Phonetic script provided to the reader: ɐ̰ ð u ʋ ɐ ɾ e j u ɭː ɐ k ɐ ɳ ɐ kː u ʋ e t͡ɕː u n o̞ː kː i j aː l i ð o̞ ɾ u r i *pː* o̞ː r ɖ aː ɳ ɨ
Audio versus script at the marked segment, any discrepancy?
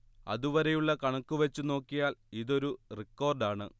yes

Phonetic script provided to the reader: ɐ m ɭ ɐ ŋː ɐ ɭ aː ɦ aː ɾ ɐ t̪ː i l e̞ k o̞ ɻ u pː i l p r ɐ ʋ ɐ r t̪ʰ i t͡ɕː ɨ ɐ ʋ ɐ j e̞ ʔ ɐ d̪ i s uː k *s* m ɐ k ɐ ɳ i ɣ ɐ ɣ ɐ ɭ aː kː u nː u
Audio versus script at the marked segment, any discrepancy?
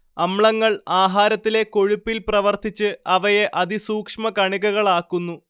yes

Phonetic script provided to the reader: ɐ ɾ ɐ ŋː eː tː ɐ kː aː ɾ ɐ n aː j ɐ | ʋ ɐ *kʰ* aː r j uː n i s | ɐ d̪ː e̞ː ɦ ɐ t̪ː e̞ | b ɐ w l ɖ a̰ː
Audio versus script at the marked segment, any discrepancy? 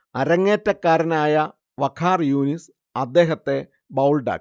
no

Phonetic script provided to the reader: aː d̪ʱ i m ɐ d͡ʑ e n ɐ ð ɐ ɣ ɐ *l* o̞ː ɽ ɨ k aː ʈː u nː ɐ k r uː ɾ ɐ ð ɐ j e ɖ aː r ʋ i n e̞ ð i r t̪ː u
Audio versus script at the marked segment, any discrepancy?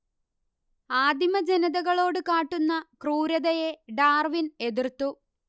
yes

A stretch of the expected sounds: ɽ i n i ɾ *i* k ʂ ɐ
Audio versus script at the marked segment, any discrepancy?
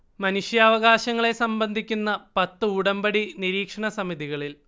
yes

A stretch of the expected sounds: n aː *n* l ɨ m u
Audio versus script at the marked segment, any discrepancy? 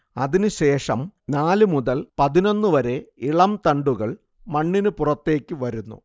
yes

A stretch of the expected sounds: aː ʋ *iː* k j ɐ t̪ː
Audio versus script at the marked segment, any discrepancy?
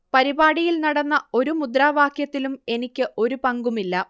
yes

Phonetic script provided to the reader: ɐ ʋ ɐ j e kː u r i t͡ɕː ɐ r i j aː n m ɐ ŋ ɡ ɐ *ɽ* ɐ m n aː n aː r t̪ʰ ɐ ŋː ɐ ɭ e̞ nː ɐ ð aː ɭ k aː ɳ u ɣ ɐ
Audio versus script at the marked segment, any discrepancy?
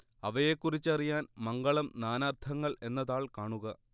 yes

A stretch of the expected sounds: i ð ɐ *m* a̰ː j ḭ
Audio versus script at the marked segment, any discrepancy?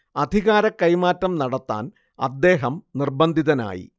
yes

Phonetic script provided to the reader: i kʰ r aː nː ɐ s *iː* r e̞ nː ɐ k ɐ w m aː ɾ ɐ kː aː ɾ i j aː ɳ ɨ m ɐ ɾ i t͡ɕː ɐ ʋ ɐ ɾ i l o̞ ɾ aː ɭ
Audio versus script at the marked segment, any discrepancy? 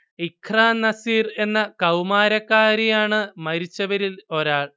no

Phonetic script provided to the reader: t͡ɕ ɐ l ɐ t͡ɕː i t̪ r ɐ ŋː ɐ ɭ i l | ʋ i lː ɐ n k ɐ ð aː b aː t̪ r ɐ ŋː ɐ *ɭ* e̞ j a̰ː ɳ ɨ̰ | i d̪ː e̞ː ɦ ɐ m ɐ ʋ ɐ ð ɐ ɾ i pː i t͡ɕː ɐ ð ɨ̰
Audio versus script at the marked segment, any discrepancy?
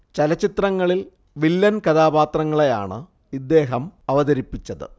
no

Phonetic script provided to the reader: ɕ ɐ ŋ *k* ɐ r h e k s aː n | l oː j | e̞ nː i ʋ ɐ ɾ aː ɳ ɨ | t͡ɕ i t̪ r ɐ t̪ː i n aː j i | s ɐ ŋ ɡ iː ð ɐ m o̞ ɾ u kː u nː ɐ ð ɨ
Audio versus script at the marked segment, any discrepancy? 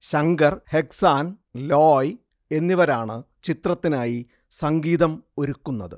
yes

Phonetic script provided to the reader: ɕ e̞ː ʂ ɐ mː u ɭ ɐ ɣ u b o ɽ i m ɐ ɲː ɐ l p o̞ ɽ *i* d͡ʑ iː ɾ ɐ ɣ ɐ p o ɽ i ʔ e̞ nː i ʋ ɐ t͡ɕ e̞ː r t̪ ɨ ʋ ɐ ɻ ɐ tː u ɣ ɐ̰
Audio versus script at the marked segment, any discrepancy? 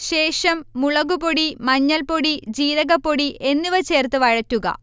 no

